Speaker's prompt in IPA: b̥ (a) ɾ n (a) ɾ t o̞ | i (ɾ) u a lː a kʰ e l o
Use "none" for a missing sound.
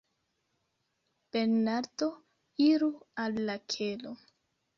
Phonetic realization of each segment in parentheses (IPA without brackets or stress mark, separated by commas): e, a, ɾ